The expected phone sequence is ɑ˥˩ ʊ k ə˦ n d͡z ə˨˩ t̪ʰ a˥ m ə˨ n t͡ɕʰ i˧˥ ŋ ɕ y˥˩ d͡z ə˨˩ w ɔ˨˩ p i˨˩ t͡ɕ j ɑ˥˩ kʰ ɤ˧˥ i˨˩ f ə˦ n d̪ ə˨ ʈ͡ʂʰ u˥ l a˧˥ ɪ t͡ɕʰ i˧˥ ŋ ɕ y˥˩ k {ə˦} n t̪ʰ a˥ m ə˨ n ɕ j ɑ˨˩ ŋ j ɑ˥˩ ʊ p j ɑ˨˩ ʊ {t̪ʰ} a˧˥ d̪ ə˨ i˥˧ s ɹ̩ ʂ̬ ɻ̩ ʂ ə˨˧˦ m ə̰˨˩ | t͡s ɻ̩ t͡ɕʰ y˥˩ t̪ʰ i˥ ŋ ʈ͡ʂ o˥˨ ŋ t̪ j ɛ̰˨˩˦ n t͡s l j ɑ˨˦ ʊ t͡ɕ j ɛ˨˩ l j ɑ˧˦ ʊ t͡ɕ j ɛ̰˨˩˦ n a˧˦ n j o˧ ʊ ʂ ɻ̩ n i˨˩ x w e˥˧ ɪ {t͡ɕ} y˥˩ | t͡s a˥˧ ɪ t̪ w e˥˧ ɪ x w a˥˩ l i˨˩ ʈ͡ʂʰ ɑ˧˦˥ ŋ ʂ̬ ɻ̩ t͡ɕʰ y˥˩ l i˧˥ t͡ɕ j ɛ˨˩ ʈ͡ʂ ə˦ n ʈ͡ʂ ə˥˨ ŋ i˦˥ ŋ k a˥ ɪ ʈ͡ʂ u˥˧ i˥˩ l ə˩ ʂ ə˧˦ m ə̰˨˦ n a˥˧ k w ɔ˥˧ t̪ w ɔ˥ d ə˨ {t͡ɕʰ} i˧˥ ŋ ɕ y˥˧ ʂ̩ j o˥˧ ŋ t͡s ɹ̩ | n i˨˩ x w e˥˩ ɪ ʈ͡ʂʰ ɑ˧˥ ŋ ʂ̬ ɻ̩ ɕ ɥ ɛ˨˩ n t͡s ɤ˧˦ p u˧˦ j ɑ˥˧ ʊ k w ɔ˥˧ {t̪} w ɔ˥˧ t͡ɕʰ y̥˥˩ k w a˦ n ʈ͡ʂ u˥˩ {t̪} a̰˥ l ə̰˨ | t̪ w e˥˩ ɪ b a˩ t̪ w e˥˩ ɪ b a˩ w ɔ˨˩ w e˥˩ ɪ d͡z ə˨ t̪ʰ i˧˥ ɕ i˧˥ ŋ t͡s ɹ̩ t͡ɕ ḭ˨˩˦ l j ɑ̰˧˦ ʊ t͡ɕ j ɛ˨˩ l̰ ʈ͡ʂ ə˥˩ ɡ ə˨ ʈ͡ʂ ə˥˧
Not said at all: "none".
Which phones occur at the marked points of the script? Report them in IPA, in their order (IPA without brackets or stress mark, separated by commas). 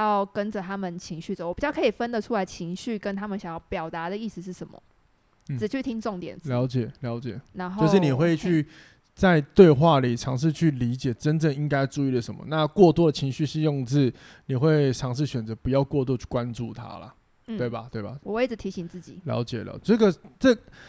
ə˦, t̪, t͡ɕʰ, t͡ɕʰ, t̪, t̪ʰ